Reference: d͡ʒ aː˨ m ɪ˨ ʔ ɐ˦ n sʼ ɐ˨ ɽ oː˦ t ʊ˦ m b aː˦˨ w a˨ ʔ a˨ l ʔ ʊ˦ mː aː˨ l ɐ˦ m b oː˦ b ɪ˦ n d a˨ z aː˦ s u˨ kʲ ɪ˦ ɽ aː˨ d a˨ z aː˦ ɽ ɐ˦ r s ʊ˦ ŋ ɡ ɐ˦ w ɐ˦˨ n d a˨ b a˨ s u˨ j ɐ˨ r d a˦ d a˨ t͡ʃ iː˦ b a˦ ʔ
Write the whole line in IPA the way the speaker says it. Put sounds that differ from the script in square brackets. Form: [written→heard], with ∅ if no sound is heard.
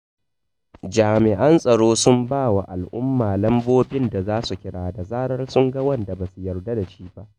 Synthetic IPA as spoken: d͡ʒ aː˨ m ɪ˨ ʔ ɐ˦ n sʼ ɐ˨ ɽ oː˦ [t→s] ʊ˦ m b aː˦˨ w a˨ ʔ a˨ l ʔ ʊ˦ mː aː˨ l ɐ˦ m b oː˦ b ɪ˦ n d a˨ z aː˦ s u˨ kʲ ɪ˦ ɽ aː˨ d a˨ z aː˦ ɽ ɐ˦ r s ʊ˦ ŋ ɡ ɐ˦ w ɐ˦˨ n d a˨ b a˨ s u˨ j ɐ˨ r d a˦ d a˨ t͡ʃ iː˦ b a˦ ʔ